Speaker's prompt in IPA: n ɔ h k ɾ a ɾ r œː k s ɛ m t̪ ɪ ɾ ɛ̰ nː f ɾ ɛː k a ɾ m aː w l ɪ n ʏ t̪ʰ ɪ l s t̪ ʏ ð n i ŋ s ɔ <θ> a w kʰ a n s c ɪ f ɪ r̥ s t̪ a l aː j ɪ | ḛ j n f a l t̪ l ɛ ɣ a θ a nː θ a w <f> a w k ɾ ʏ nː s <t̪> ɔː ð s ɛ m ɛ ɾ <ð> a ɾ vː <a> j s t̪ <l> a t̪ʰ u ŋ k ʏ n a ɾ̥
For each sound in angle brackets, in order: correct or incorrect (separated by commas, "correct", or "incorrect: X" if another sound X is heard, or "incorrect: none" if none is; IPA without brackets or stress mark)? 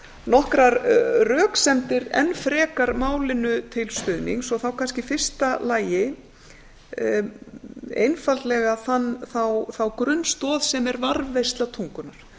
correct, incorrect: θ, correct, incorrect: v, incorrect: e, correct